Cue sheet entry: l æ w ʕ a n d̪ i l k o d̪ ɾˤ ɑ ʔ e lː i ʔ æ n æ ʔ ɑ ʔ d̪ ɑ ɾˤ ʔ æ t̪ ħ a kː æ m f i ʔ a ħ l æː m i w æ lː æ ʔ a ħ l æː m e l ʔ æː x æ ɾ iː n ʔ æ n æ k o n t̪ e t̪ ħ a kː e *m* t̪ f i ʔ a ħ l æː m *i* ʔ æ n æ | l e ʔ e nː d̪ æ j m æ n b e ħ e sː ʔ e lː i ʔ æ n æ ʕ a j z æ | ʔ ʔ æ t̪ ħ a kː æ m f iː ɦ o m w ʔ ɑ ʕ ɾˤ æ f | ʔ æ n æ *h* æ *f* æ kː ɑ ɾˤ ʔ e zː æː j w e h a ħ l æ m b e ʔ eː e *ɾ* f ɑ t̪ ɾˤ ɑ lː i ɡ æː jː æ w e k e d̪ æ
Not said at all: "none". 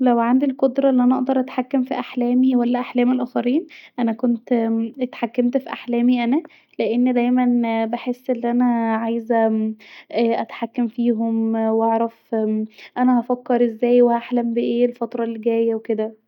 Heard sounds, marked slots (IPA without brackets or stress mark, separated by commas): m, i, h, f, l